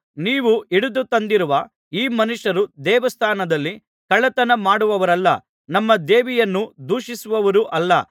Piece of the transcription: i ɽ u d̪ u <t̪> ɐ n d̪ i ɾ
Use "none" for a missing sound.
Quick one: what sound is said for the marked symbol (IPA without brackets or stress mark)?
t̪